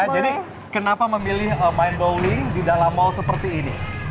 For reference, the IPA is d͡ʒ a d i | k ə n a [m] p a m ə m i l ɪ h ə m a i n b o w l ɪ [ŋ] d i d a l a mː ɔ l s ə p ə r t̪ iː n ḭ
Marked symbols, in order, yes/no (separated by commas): no, yes